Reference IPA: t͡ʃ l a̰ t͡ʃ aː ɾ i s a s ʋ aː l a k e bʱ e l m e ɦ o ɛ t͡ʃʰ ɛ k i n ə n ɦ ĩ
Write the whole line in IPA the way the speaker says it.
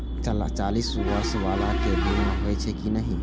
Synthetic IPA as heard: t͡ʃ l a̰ t͡ʃ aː l i s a s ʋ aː l a k e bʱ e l m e ɦ o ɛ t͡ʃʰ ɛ k i n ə ɦ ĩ